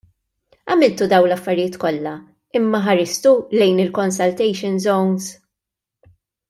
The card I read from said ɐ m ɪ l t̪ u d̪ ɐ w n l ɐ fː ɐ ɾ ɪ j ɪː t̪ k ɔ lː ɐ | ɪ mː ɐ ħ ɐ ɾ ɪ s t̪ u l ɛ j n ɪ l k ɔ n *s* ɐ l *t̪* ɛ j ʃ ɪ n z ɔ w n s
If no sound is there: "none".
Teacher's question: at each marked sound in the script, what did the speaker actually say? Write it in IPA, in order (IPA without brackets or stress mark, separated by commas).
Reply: s, t̪